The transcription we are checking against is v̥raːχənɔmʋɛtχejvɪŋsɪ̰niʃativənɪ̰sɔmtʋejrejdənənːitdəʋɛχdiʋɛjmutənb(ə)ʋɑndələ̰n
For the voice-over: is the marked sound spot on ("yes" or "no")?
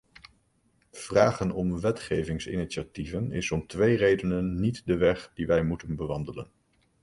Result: yes